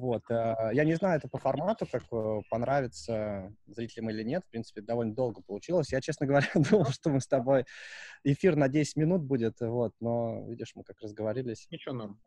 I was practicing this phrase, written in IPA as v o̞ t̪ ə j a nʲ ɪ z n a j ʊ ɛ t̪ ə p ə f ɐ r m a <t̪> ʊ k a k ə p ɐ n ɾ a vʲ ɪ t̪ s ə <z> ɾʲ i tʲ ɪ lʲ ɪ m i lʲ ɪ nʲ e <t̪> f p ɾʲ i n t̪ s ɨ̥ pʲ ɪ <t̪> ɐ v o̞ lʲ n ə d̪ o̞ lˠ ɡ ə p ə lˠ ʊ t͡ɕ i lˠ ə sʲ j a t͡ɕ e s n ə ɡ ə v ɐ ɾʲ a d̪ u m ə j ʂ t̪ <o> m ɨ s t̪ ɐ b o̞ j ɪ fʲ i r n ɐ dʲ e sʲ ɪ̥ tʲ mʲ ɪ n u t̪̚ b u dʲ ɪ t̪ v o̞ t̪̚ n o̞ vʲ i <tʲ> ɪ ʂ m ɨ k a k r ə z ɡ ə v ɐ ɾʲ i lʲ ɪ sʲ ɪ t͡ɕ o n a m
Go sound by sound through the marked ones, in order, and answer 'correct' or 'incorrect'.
correct, correct, correct, incorrect: d̪, correct, incorrect: dʲ

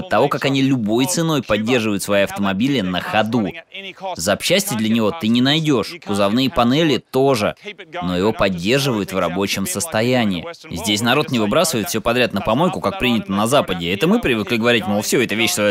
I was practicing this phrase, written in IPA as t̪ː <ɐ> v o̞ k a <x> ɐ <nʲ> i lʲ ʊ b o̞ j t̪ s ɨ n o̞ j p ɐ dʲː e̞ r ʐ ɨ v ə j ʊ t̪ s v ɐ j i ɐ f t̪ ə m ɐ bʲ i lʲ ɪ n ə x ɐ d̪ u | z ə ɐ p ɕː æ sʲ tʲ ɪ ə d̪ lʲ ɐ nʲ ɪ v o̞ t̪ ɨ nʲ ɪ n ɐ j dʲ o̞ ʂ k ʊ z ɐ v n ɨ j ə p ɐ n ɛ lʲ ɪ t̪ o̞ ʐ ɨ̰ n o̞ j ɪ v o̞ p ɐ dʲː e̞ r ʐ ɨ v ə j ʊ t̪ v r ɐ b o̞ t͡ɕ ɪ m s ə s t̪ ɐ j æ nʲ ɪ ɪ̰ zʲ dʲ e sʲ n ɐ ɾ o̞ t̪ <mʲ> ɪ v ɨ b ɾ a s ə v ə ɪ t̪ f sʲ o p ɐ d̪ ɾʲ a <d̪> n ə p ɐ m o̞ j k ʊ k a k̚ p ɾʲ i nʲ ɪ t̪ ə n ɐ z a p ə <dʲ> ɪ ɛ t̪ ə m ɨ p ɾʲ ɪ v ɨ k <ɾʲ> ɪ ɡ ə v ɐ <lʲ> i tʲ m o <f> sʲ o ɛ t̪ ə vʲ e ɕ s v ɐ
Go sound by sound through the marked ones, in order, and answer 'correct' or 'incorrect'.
correct, incorrect: k, correct, incorrect: nʲ, incorrect: t̪, correct, incorrect: lʲ, incorrect: ɾʲ, correct

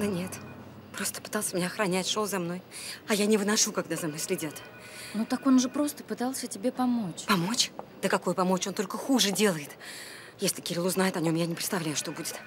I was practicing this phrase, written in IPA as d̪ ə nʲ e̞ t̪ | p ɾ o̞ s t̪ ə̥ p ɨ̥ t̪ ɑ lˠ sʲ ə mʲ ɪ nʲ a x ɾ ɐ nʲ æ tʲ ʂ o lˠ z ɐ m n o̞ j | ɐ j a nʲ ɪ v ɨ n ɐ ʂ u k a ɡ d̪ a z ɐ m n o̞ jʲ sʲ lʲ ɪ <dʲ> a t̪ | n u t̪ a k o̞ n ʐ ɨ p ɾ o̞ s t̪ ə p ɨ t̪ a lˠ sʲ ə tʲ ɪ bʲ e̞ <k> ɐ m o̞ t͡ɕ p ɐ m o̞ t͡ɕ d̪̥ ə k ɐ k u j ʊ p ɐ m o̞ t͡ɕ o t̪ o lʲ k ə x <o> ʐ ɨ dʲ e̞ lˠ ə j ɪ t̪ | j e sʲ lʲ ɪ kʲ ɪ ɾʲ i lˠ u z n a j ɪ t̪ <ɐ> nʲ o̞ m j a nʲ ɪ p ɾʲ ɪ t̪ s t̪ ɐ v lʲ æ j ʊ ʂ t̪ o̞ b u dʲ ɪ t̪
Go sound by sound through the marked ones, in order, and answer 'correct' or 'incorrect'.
correct, incorrect: p, incorrect: u, correct

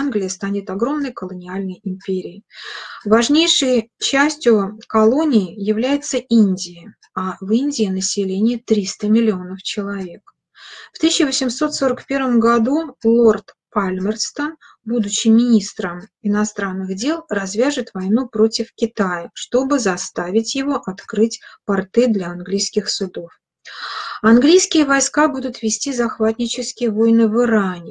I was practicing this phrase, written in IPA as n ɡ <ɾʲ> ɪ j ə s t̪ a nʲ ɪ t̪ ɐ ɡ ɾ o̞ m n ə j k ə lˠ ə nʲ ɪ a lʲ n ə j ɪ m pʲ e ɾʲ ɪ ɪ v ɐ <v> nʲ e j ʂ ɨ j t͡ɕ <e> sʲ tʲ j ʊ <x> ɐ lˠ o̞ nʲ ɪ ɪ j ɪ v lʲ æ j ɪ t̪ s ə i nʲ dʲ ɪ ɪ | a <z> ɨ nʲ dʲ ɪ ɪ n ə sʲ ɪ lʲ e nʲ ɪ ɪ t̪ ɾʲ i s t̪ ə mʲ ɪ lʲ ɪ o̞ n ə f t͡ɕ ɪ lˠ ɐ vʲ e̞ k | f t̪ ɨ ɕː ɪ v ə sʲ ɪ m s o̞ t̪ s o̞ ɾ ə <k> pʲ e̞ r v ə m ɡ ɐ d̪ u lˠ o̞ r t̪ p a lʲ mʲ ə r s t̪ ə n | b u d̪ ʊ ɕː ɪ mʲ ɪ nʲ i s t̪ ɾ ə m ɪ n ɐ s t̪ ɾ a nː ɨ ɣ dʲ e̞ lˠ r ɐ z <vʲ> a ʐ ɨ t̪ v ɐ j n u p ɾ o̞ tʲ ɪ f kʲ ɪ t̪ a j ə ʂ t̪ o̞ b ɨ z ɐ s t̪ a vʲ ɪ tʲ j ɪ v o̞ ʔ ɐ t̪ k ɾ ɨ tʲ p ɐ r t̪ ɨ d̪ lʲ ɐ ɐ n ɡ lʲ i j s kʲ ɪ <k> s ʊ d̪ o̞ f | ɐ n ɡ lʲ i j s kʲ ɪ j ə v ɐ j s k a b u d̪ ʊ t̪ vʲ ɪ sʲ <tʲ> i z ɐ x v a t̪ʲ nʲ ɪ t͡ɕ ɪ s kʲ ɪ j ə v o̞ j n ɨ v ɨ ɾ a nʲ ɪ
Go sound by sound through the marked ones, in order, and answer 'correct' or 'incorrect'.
incorrect: lʲ, incorrect: ʐ, incorrect: æ, incorrect: k, incorrect: v, correct, correct, incorrect: x, correct

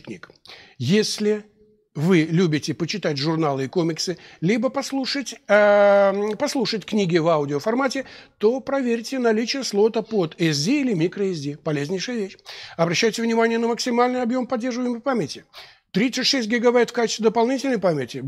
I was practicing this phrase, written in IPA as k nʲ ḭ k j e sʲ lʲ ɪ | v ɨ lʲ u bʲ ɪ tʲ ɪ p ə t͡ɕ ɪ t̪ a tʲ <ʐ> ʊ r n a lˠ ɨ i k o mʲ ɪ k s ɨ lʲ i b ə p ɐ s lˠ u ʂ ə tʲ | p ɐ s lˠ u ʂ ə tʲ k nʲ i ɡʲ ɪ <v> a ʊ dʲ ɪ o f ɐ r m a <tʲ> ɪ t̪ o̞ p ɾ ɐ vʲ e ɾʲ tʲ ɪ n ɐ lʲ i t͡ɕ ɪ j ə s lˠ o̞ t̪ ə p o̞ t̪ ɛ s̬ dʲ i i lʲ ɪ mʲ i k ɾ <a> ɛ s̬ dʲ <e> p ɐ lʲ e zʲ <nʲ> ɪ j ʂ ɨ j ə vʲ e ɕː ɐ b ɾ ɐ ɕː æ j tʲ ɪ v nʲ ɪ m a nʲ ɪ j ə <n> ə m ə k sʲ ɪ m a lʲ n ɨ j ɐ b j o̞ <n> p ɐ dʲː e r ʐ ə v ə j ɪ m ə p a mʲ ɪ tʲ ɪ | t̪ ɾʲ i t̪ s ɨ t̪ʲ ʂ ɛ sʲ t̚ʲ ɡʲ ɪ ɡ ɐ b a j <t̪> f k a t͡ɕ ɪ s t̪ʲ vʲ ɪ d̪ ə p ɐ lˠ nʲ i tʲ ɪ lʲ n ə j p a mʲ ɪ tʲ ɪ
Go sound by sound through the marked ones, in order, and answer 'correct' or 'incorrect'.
correct, correct, correct, incorrect: ə, incorrect: i, correct, correct, incorrect: m, correct

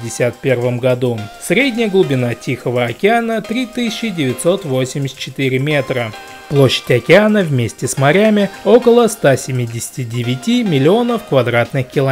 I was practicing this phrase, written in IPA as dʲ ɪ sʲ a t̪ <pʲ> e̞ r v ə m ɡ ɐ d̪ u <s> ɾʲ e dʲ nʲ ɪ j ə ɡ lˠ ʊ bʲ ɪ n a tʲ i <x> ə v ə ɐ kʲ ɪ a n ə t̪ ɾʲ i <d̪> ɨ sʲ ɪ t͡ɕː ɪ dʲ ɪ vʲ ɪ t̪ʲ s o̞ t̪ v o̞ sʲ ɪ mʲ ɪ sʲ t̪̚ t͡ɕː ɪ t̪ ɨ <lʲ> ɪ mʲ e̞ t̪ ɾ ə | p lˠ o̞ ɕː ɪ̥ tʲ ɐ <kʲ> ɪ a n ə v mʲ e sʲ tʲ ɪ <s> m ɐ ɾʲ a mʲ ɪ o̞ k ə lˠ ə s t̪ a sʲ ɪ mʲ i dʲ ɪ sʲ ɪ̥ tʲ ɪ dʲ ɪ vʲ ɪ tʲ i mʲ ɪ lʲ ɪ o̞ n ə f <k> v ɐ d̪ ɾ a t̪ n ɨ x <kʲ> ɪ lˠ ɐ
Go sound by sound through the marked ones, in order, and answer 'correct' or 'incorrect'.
correct, correct, correct, incorrect: t̪, incorrect: ɾʲ, correct, correct, correct, correct

